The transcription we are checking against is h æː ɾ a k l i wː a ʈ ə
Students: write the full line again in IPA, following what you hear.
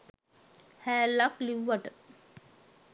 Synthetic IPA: h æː l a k l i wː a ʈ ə